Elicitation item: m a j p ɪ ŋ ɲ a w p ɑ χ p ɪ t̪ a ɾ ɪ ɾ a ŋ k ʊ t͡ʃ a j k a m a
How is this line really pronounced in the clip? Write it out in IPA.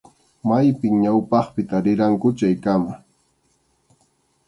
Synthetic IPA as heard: m a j p ɪ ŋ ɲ a w p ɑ χ p ɪ t̪ a ɾ ɪ ɾ a ŋ k ʊ t͡ʃ a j k a m a

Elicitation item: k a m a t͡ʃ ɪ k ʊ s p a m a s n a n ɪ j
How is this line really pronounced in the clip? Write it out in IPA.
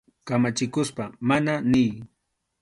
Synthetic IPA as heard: k a m a t͡ʃ ɪ k ʊ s p a m a n a n ɪ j

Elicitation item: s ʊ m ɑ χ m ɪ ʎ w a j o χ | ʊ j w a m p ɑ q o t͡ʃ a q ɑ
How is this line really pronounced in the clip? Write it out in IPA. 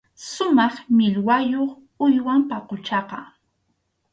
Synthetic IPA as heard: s ʊ m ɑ χ m ɪ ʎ w a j o χ | ʊ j w a m p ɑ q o t͡ʃ ɑ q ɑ

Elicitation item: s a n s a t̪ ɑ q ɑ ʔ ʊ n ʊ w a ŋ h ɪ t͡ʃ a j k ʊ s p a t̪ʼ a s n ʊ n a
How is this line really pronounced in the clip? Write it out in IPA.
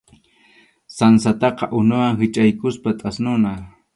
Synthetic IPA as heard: s a n s a t̪ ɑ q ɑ ʔ ʊ n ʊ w a ŋ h ɪ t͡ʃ a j k ʊ s p a t̪ʼ a s n ʊ n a

